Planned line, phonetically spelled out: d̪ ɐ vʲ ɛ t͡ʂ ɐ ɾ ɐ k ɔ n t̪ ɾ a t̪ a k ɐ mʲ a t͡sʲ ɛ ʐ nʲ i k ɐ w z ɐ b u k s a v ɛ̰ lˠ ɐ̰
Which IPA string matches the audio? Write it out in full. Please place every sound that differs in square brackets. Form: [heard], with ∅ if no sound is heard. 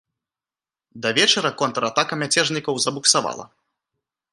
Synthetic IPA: d̪ ɐ vʲ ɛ t͡ʂ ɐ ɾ ɐ k ɔ n t̪ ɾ a t̪ a k ɐ mʲ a t͡sʲ ɛ ʐ nʲ i k ɐ w z ɐ b u k s a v [a̰] lˠ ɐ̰

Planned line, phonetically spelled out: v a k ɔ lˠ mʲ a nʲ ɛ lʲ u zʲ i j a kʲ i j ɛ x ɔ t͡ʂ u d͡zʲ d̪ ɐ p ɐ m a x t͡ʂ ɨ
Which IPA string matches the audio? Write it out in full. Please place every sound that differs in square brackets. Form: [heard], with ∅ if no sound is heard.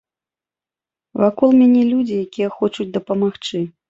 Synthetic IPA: v a k ɔ lˠ mʲ a nʲ ɛ lʲ u [d͡zʲ] i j a kʲ i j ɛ x ɔ t͡ʂ u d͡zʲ d̪ ɐ p ɐ m a x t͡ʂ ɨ

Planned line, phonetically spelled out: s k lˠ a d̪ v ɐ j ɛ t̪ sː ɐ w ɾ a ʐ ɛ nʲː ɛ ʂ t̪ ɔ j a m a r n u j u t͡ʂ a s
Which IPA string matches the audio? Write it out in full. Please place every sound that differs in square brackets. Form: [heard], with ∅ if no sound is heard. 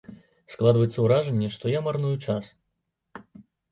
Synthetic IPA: s k lˠ a d̪ v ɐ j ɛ t̪ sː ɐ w ɾ a ʐ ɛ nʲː ɛ ʂ t̪ ɔ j a m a r n u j u t͡ʂ a s

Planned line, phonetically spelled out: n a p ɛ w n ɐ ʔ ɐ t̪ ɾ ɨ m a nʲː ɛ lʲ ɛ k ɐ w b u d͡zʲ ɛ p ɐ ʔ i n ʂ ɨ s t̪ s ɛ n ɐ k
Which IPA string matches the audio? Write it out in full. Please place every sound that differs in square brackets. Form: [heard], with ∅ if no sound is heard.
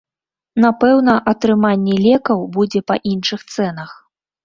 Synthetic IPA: n a p ɛ w n ɐ ʔ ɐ t̪ ɾ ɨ m a nʲː ɛ lʲ ɛ k ɐ w b u d͡zʲ ɛ p ɐ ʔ i n ʂ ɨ [x] t̪ s ɛ n ɐ [x]

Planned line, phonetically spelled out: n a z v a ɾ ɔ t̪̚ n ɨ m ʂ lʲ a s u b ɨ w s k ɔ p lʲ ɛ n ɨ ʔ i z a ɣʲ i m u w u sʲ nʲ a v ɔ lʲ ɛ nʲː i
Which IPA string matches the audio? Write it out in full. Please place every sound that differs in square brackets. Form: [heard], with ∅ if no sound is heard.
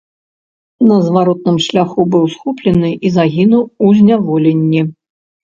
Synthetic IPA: n [ɐ] z v a ɾ ɔ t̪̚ n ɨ m ʂ lʲ a [x] u b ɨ w s [x] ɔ p lʲ ɛ n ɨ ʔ i z a ɣʲ i [n] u w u [zʲ] nʲ a v ɔ lʲ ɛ nʲː i

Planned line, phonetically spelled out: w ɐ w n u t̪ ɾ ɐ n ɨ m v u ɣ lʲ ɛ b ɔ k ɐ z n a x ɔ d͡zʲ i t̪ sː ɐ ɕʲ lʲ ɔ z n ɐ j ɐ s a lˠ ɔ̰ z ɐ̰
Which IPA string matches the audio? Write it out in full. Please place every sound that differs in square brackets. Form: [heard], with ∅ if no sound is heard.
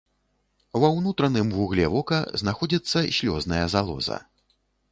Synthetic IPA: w ɐ w n u t̪ ɾ ɐ n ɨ m v u ɣ lʲ ɛ [v] ɔ k ɐ z n a x ɔ d͡zʲ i t̪ sː ɐ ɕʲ lʲ ɔ z n ɐ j ɐ [z] a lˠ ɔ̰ z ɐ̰

